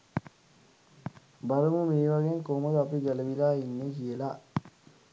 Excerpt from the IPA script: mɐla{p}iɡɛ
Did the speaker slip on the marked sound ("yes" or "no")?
no